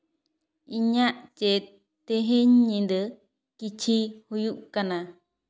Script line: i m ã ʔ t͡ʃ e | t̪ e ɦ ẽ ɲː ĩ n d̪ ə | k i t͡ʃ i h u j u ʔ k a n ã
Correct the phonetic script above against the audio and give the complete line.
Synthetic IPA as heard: i ɲ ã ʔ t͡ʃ e | t̪ e ɦ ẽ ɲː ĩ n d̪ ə | k i t͡ʃ i h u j u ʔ k a n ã